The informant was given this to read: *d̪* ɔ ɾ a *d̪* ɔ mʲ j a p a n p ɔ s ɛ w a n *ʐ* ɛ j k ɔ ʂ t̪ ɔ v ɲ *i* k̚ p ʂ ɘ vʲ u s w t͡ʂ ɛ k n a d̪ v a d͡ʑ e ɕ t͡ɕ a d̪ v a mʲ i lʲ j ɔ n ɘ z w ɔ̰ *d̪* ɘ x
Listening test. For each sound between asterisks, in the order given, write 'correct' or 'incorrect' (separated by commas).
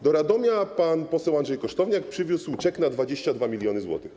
correct, correct, correct, incorrect, incorrect